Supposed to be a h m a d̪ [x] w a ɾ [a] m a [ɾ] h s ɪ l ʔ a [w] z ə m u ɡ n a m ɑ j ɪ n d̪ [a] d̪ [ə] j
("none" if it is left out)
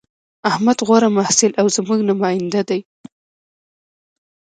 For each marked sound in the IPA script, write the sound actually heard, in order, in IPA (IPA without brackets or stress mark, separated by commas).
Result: ɣ, a, none, w, a, a